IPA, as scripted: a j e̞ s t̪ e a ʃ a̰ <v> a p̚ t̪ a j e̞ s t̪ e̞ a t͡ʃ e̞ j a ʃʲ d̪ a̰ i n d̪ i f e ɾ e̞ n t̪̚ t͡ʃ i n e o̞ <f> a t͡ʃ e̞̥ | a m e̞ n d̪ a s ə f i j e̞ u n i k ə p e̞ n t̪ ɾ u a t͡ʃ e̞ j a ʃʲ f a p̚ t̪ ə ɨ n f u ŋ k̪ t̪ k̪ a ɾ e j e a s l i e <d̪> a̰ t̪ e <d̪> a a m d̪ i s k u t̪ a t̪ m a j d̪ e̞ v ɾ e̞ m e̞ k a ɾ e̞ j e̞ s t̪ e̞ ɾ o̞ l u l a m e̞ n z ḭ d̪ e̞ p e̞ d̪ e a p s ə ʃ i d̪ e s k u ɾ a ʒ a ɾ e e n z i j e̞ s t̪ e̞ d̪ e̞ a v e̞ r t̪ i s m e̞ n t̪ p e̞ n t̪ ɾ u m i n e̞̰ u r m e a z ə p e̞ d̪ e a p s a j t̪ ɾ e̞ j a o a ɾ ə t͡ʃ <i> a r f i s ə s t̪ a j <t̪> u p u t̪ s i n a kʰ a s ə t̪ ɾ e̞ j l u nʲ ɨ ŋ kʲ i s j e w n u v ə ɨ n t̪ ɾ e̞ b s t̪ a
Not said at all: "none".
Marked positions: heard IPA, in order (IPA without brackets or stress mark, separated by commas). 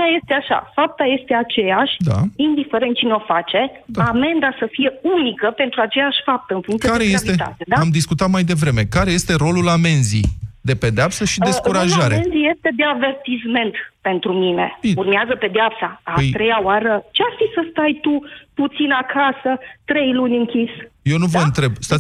f, f, t̪, d̪, e, t̪